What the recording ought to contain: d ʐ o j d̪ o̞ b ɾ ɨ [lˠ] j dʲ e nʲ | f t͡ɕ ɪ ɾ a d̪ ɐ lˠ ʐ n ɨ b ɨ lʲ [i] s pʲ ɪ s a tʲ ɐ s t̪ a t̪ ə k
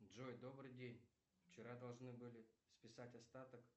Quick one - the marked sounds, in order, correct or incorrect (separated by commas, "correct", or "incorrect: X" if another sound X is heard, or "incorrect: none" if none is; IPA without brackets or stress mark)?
incorrect: none, incorrect: ɪ